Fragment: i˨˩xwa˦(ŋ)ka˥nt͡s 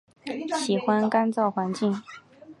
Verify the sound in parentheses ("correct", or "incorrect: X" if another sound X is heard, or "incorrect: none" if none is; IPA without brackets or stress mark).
incorrect: n